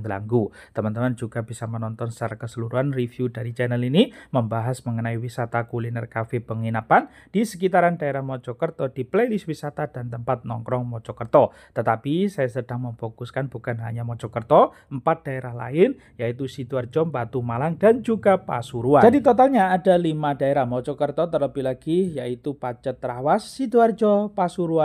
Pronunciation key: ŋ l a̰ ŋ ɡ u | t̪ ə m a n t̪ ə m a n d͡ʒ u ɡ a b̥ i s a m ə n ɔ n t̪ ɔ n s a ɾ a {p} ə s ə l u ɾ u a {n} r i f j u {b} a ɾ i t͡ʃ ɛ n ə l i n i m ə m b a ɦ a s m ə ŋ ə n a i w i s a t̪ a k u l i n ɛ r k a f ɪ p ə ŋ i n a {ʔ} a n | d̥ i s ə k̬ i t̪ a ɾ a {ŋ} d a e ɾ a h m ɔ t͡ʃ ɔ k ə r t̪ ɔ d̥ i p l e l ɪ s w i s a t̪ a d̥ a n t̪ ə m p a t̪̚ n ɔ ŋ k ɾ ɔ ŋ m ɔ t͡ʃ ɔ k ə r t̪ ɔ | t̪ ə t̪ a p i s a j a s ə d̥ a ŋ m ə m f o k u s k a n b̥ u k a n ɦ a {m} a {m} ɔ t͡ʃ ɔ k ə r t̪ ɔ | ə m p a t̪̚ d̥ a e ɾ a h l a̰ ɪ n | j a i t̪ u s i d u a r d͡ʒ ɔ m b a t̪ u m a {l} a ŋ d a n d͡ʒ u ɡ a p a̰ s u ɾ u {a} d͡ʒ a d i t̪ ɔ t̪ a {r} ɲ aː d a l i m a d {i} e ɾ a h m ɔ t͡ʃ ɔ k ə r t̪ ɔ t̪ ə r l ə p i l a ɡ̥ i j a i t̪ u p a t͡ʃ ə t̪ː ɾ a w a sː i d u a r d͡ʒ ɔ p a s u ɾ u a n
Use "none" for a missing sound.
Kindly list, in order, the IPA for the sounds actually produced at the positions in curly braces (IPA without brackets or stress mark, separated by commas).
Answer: k, n, d, p, n, ɲ, m, l, a, l, a